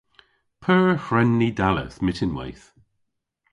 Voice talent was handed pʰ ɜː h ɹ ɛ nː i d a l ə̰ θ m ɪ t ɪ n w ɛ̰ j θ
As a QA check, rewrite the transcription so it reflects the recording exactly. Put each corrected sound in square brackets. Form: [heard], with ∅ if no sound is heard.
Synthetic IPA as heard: pʰ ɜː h ɹ ɛ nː i d a l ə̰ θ m ɪ t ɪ n w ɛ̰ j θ